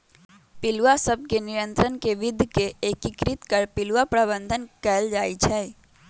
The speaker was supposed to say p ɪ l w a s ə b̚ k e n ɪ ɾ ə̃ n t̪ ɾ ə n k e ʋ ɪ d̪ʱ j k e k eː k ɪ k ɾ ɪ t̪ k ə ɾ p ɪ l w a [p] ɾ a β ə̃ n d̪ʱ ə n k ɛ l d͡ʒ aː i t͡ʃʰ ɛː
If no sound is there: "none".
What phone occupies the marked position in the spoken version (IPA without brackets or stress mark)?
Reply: p